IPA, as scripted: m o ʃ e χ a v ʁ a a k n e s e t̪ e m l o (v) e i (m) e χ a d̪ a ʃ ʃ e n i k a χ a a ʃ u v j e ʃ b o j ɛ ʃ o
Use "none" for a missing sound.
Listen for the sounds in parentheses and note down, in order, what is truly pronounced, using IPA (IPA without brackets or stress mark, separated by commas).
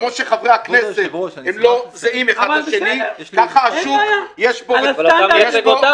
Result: z, m